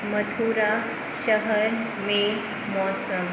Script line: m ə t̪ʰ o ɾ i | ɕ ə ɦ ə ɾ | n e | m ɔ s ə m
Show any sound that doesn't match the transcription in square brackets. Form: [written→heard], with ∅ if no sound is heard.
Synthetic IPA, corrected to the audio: m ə t̪ʰ [o→u] ɾ [i→a] | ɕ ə ɦ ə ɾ | [n→m] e | m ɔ s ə m